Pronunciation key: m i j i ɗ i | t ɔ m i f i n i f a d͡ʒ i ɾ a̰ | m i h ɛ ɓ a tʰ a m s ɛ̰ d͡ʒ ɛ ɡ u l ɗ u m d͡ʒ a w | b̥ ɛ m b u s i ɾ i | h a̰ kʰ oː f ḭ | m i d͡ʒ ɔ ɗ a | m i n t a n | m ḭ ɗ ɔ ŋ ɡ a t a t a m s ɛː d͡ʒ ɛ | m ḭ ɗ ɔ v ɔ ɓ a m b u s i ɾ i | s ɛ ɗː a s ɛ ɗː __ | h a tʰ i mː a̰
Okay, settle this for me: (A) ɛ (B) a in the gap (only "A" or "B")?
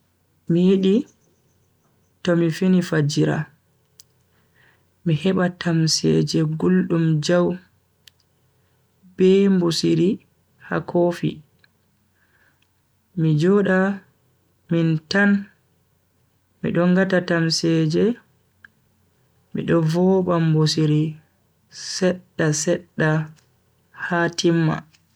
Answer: B